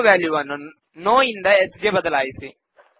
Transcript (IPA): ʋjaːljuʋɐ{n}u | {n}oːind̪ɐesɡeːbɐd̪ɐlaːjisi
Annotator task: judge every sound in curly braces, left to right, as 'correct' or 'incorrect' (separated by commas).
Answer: incorrect, correct